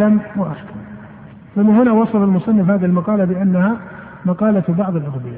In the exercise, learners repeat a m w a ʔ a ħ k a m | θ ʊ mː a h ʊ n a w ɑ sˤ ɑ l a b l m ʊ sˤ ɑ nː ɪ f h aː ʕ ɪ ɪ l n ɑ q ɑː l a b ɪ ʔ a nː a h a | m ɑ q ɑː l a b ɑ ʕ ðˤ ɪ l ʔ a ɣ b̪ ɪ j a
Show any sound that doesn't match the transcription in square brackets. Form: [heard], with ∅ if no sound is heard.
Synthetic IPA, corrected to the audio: a m w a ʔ a ħ k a m | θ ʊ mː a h ʊ n a w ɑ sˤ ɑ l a [∅] l m ʊ sˤ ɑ nː ɪ f h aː [ð] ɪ ɪ l [m] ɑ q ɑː l a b ɪ ʔ a nː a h a | m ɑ q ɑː l a b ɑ ʕ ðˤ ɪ l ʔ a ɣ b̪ ɪ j a